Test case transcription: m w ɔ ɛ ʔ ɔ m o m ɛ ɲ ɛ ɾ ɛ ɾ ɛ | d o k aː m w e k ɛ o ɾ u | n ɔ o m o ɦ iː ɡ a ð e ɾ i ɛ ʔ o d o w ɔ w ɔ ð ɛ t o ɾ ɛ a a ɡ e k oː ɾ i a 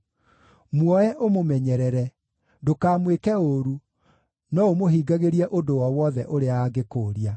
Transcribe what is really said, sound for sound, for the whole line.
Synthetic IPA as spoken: m w ɔ ɛ ʔ o m o m ɛ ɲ ɛ ɾ ɛ ɾ ɛ | d o k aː m w e k ɛ o ɾ u | n ɔ o m o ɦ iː ɡ a ɣ e ɾ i ɛ ʔ o d o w ɔ w ɔ ð ɛ ʔ o ɾ e a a ɡ e k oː ɾ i a